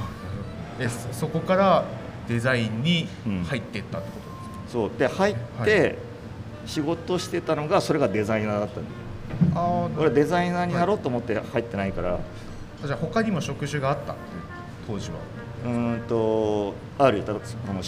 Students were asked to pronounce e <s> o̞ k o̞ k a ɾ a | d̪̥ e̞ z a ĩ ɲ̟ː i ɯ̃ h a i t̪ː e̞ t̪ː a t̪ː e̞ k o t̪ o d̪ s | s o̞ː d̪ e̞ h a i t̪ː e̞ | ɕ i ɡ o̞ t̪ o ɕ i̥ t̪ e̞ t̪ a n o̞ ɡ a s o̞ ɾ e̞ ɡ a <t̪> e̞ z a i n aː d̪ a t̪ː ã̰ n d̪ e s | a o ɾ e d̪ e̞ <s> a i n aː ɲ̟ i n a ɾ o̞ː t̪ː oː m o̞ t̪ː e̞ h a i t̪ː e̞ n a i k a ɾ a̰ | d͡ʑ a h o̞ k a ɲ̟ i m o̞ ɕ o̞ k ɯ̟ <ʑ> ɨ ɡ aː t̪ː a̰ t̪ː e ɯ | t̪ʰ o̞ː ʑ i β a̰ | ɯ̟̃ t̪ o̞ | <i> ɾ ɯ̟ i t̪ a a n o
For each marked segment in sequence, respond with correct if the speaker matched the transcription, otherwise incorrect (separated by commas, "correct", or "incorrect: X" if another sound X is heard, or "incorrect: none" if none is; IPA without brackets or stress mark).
correct, incorrect: d̪, incorrect: z, correct, incorrect: a